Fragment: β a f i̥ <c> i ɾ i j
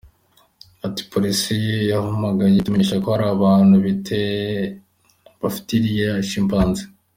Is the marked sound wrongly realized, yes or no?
yes